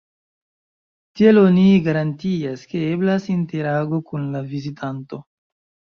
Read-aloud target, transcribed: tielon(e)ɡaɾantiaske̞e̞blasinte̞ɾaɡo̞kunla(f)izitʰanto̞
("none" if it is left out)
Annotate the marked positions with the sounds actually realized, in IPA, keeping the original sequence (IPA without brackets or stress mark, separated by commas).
i, v